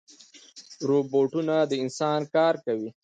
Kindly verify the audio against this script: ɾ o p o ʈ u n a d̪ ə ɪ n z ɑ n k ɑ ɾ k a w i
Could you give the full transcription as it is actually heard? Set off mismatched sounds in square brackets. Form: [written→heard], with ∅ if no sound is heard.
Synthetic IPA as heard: ɾ o [p→b] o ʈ u n a d̪ ə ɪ n [z→s] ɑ n k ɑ ɾ k a w i